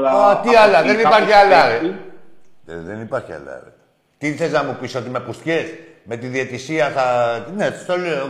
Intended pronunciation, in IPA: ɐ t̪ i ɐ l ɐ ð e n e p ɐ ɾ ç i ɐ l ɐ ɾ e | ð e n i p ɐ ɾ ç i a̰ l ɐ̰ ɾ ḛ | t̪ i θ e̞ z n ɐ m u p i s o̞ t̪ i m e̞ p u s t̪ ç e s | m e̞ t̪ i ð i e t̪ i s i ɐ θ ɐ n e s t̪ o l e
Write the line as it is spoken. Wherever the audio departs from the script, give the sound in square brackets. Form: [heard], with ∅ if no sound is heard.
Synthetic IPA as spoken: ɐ t̪ i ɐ l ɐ ð e n [i] p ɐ ɾ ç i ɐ l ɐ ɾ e | ð e n i p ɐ ɾ ç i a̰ l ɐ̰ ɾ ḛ | t̪ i θ e̞ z n ɐ m u p i s o̞ t̪ i m e̞ p u s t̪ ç e s | m e̞ t̪ i ð i e t̪ i s i ɐ θ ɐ n e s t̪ o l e